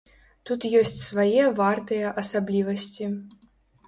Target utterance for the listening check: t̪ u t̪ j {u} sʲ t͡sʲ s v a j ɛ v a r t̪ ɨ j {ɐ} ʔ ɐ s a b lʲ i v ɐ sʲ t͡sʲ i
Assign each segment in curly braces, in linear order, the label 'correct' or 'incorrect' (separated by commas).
incorrect, correct